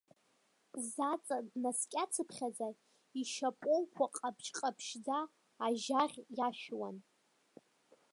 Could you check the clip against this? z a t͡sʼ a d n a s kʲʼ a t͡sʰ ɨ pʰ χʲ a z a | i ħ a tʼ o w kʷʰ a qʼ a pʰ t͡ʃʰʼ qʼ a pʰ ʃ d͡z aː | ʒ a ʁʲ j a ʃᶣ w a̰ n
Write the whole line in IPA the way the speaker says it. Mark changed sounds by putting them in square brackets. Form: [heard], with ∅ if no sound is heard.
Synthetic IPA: z a t͡sʼ a d n a s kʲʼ a t͡sʰ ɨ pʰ χʲ a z a | i [ʃ] a [pʼ] o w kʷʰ a qʼ a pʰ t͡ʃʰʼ qʼ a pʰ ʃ d͡z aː | ʒ a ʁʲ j a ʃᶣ w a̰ n